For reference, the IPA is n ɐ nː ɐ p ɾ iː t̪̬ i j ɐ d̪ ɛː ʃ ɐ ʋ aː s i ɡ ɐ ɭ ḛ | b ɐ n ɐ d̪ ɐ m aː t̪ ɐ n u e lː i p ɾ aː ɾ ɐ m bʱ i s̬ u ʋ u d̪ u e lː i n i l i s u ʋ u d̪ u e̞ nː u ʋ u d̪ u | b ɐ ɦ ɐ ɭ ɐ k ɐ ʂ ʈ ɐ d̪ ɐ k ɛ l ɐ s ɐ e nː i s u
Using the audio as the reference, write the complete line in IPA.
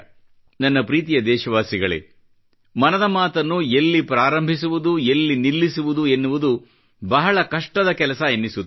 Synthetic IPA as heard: n ɐ nː ɐ p ɾ iː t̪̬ i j ɐ d̪ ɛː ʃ ɐ ʋ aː s i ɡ ɐ ɭ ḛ | m ɐ n ɐ d̪ ɐ m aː t̪ ɐ nː u e lː i p ɾ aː ɾ ɐ m bʱ i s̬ u ʋ u d̪ u e lː i n i lː i s u ʋ u d̪ u e̞ nː u ʋ u d̪ u | b ɐ ɦ ɐ ɭ ɐ k ɐ ʂ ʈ ɐ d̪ ɐ k ɛ l ɐ s ɐ e nː i s u

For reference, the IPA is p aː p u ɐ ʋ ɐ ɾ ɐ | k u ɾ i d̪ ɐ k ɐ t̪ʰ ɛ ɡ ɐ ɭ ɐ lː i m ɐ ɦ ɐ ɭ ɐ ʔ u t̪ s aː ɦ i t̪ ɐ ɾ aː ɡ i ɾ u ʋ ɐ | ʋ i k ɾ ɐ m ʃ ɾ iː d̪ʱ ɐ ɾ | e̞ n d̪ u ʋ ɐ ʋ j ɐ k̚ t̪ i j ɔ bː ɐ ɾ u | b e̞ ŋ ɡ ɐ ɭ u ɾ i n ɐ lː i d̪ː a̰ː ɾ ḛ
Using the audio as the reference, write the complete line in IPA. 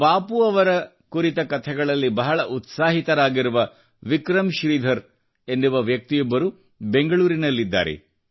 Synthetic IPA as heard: p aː p u ɐ ʋ ɐ ɾ ɐ | k u ɾ i t̪ ɐ k ɐ t̪ʰ ɛ ɡ ɐ ɭ ɐ lː i b ɐ ɦ ɐ ɭ ɐ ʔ u t̪ s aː ɦ i t̪ ɐ ɾ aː ɡ i ɾ u ʋ ɐ | ʋ i k ɾ ɐ m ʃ ɾ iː d̪ʱ ɐ ɾ | e̞ n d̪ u ʋ ɐ ʋ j ɐ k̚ t̪ i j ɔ bː ɐ ɾ u | b e̞ ŋ ɡ ɐ ɭ uː ɾ i n ɐ lː i d̪ː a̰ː ɾ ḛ

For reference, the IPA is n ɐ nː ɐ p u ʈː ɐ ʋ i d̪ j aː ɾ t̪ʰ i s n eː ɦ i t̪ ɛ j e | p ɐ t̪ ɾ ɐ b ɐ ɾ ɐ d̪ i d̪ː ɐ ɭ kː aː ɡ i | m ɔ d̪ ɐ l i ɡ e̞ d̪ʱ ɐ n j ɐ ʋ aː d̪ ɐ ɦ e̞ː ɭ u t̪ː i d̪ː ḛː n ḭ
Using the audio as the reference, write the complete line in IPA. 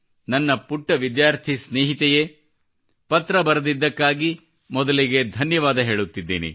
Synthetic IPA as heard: n ɐ nː ɐ p u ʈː ɐ ʋ i d̪ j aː ɾ t̪ʰ i s n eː ɦ i t̪ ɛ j e | p ɐ t̪ ɾ ɐ b ɐ ɾ ɐ d̪ i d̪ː ɐ kː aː ɡ i | m ɔ d̪ ɐ l i ɡ e̞ d̪ʱ ɐ n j ɐ ʋ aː d̪ ɐ ɦ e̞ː ɭ u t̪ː i d̪ː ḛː n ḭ

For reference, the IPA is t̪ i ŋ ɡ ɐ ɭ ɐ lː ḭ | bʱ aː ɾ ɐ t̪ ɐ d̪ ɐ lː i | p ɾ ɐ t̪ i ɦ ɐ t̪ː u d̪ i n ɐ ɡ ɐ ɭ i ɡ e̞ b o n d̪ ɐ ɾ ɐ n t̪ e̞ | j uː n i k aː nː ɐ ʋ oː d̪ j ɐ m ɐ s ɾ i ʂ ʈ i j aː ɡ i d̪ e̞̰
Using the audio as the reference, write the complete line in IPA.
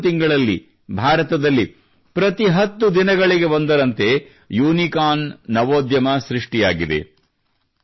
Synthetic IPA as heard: t̪ i ŋ ɡ ɐ ɭ ɐ lː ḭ | bʱ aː ɾ ɐ t̪ ɐ d̪ ɐ lː i | p ɾ ɐ t̪ i ɦ ɐ t̪ː u d̪ i n ɐ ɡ ɐ ɭ i ɡ e̞ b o n d̪ ɐ ɾ ɐ n t̪ e̞ | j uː n i k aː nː ɐ ʋ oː d̪ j ɐ m ɐ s ɾ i ʂ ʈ i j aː ɡ i d̪ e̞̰

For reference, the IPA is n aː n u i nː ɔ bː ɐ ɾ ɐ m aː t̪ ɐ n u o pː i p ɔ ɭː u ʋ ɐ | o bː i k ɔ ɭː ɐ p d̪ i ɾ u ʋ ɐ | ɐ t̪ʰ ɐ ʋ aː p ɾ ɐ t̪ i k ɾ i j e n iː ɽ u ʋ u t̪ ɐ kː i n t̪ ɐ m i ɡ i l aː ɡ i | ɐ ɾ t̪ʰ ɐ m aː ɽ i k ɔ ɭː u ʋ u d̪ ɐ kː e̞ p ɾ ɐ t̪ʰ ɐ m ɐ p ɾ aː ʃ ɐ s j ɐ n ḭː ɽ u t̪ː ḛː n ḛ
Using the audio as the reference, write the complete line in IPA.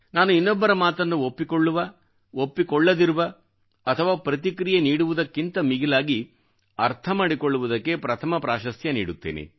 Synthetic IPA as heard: n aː n u i nː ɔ bː ɐ ɾ ɐ m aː t̪ ɐ nː u o pː i k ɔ ɭː u ʋ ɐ | o pː i k ɔ ɭː ɐ d̪ i ɾ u ʋ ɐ | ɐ t̪ʰ ɐ ʋ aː p ɾ ɐ t̪ i k ɾ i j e n iː ɽ u ʋ u d̪ ɐ kː i n t̪ ɐ m i ɡ i l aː ɡ i | ɐ ɾ t̪ʰ ɐ m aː ɽ i k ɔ ɭː u ʋ u d̪ ɐ kː e̞ p ɾ ɐ t̪ʰ ɐ m ɐ p ɾ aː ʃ ɐ s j ɐ n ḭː ɽ u t̪ː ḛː n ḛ

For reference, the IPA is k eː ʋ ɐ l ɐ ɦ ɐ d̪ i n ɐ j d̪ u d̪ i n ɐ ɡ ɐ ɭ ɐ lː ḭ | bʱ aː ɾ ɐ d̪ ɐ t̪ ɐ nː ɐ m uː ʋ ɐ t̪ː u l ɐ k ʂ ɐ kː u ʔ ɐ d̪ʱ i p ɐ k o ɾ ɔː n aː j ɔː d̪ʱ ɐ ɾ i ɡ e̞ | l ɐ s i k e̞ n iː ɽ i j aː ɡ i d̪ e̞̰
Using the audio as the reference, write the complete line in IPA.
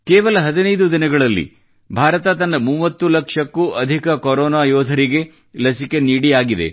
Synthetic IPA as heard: k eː ʋ ɐ l ɐ ɦ ɐ d̪ i n ɐ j d̪ u d̪ i n ɐ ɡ ɐ ɭ ɐ lː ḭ | bʱ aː ɾ ɐ t̪ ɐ t̪ ɐ nː ɐ m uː ʋ ɐ t̪ː u l ɐ k ʂ ɐ kː u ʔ ɐ d̪ʱ i k ɐ k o ɾ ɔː n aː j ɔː d̪ʱ ɐ ɾ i ɡ e̞ | l ɐ s i k e̞ n iː ɽ i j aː ɡ i d̪ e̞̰

